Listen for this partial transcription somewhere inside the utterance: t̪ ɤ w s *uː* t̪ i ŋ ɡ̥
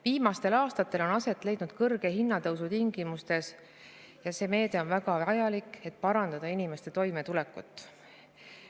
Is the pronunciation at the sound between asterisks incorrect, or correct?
incorrect